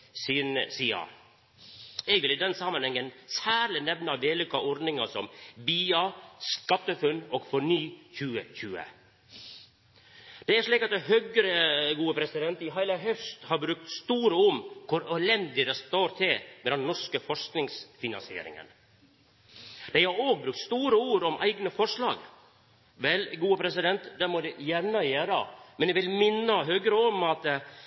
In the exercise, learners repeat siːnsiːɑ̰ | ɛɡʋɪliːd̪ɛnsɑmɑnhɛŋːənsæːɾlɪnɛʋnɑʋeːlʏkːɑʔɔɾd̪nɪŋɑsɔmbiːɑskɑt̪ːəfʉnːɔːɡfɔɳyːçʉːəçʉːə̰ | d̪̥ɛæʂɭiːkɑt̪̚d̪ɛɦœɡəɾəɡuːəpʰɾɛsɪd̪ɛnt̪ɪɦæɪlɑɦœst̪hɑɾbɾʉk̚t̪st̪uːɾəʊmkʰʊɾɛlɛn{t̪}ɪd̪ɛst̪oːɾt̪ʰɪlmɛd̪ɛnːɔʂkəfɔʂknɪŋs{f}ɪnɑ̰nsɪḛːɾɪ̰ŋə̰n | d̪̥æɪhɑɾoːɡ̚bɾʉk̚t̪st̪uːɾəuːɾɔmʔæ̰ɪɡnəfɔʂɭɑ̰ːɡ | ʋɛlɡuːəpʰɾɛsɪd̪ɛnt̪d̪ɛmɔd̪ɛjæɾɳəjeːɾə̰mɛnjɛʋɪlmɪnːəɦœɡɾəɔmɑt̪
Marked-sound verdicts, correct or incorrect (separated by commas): incorrect, correct